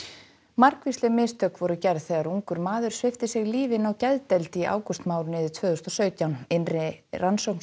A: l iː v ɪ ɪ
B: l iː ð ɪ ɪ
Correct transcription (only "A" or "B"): A